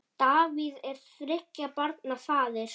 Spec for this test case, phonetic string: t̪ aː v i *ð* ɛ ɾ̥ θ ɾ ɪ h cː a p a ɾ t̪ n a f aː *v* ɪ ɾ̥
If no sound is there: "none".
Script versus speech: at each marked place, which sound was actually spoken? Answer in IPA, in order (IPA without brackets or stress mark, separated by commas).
ð, ð